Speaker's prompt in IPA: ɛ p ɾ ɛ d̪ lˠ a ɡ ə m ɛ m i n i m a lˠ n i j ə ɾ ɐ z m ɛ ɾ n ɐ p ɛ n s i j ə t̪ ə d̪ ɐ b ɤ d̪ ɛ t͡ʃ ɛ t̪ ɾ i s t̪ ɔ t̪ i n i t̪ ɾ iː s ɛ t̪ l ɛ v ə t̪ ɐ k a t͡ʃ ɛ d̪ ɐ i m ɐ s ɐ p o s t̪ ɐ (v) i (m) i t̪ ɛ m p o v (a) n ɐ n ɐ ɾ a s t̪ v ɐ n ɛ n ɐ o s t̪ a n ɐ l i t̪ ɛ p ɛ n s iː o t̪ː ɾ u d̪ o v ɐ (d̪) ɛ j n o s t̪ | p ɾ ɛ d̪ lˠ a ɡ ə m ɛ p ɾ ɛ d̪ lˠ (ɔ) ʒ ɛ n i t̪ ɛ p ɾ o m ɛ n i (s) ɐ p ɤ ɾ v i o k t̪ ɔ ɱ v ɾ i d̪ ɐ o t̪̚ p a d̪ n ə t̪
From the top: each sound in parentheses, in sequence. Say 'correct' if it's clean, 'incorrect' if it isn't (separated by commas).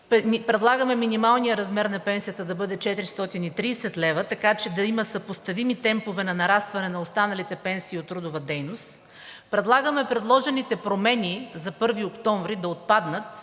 correct, correct, incorrect, correct, correct, incorrect